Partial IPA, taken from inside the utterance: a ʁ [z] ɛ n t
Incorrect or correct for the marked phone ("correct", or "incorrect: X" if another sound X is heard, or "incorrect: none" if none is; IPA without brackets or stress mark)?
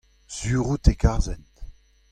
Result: correct